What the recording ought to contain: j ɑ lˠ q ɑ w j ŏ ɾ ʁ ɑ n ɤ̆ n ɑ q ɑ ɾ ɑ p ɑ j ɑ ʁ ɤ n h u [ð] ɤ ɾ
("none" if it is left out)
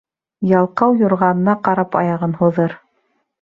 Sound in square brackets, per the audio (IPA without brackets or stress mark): ð